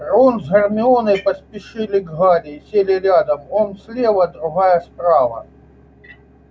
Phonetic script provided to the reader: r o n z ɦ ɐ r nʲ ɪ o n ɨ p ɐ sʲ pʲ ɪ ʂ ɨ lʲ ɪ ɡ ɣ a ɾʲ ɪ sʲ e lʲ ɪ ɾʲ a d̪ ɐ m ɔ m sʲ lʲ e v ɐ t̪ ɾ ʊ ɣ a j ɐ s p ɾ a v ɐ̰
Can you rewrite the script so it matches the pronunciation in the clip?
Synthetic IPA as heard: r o n z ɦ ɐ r mʲ ɪ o n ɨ p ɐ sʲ pʲ ɪ ʂ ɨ lʲ ɪ ɡ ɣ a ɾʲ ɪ sʲ e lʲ ɪ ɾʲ a d̪ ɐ m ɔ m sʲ lʲ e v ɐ d̪ ɾ ʊ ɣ a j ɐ s p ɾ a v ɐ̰